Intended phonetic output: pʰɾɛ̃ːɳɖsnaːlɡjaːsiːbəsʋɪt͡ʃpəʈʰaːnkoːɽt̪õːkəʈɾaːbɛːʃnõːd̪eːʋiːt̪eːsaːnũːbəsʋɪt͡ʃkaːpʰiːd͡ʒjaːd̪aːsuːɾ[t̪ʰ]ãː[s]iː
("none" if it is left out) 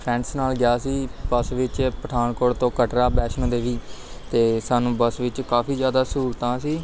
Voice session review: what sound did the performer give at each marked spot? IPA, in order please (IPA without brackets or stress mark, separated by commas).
t̪, s